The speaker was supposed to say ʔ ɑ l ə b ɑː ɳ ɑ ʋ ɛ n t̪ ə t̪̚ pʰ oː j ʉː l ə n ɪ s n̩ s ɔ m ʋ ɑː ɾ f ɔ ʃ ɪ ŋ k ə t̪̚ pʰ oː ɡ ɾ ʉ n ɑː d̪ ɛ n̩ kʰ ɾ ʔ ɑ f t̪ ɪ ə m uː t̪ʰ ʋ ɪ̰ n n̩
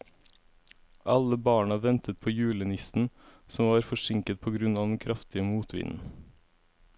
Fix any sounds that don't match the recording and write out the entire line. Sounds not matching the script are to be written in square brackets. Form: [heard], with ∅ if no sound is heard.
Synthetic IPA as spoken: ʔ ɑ l ə b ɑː ɳ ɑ ʋ ɛ n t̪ ə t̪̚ pʰ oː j ʉː l ə n ɪ s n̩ s ɔ m ʋ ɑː ɾ f ɔ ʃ ɪ ŋ k ə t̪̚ pʰ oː ɡ ɾ ʉ n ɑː d̪ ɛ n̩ kʰ ɾ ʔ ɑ f t̪ ɪ ə m uː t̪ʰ ʋ ɪ̰ n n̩